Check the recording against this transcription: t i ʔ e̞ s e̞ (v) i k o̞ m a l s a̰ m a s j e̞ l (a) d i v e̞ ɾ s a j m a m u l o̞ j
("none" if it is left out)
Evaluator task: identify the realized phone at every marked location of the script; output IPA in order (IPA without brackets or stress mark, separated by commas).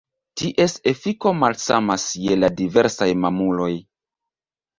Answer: f, a